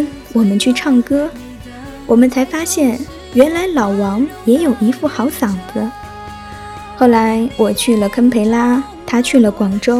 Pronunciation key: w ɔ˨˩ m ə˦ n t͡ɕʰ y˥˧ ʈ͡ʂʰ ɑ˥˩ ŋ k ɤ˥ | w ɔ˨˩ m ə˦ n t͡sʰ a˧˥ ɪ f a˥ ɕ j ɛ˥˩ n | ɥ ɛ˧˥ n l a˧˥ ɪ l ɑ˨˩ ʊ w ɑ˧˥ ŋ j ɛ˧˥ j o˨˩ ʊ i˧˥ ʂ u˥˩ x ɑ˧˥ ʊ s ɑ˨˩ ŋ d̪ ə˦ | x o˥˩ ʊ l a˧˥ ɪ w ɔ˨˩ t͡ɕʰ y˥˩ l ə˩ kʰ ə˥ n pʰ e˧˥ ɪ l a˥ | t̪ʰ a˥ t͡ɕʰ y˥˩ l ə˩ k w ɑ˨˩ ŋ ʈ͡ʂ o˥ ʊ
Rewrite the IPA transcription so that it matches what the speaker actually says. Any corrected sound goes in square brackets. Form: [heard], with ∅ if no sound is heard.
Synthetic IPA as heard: w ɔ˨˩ m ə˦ n t͡ɕʰ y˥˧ ʈ͡ʂʰ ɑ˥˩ ŋ k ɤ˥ | w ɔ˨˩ m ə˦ n t͡sʰ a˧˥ ɪ f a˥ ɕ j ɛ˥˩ n | ɥ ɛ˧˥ n l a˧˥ ɪ l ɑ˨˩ ʊ w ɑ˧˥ ŋ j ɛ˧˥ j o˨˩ ʊ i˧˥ [f] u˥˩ x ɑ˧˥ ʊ s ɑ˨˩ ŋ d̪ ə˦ | x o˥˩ ʊ l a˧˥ ɪ w ɔ˨˩ t͡ɕʰ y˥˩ l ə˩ kʰ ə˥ n pʰ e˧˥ ɪ l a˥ | t̪ʰ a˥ t͡ɕʰ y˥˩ l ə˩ k w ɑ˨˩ ŋ ʈ͡ʂ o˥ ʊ